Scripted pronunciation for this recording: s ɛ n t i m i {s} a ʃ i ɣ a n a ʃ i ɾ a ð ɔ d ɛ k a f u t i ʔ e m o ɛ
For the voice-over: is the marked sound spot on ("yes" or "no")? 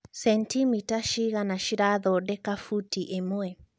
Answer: no